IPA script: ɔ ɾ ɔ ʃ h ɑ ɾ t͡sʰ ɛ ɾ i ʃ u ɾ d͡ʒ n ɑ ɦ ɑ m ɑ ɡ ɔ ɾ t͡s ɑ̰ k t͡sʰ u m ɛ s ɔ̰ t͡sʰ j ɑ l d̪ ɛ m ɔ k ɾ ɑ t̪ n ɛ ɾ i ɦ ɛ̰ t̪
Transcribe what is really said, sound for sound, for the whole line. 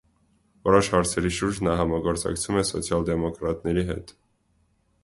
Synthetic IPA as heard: ɔ ɾ ɔ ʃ h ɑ ɾ t͡sʰ ɛ ɾ i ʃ u ɾ d͡ʒ n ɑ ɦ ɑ m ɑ ɡ ɔ ɾ t͡s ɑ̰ k t͡sʰ u m ɛ s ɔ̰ t͡sʰ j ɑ l d̪ ɛ m ɔ k ɾ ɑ t̪ n ɛ ɾ i ɦ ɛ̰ t̪